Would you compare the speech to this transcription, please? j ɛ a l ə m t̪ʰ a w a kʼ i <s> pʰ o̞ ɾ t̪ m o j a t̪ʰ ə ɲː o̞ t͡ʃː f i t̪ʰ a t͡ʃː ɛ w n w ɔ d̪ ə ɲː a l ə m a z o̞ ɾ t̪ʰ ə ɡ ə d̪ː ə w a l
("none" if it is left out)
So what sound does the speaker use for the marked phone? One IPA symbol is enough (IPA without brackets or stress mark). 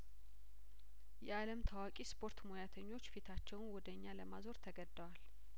s